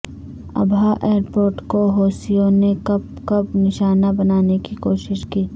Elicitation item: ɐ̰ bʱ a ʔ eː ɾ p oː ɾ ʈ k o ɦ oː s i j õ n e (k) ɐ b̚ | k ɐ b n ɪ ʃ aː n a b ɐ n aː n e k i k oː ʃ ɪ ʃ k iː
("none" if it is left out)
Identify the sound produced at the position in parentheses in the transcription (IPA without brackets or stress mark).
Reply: k